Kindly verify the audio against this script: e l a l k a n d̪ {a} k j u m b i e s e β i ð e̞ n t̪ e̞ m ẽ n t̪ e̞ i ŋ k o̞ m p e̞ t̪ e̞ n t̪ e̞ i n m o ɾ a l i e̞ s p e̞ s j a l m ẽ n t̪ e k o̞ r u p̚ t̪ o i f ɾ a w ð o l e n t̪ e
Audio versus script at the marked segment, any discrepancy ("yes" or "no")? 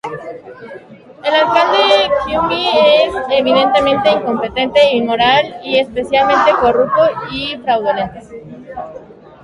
yes